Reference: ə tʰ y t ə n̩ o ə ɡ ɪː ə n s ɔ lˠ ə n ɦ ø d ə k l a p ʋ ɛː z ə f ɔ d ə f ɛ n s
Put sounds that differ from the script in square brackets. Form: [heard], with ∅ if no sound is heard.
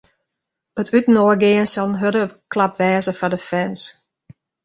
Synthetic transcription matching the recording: ə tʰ y t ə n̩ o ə ɡ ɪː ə n s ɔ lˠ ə n ɦ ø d ə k l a p ʋ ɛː z ə f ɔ d ə f ɛ n s